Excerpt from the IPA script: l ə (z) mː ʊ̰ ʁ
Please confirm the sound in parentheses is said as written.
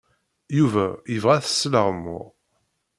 no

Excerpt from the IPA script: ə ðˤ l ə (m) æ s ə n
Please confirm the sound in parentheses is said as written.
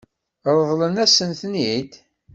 no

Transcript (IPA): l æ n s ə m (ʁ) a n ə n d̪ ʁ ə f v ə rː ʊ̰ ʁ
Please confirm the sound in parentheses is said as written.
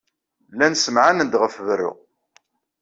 no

